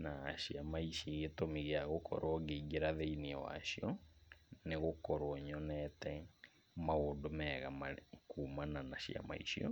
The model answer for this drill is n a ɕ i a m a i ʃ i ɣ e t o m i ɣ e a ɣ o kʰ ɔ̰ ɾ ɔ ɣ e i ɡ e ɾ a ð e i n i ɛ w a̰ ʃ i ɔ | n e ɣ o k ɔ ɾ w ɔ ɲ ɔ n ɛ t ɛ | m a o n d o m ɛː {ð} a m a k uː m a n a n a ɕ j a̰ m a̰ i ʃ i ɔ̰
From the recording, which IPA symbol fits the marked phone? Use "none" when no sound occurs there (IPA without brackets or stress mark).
ɣ